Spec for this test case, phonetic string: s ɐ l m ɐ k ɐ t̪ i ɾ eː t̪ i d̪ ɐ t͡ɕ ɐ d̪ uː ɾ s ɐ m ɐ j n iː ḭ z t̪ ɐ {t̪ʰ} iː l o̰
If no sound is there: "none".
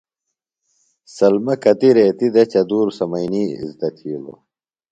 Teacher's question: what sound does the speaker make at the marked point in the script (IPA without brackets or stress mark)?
t̪ʰ